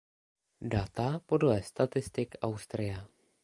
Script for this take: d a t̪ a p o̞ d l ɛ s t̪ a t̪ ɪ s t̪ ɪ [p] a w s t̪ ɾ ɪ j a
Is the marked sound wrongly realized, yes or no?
yes